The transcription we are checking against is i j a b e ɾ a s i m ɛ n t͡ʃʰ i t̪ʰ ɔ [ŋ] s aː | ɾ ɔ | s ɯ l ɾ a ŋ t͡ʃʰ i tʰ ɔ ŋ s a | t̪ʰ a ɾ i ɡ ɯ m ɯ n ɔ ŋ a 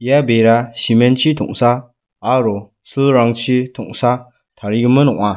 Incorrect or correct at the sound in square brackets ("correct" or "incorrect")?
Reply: correct